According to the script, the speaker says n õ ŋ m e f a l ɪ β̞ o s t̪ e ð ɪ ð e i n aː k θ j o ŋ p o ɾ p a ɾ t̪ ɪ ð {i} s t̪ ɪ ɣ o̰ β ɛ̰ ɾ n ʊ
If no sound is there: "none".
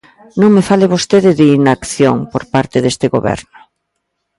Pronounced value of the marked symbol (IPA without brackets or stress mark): e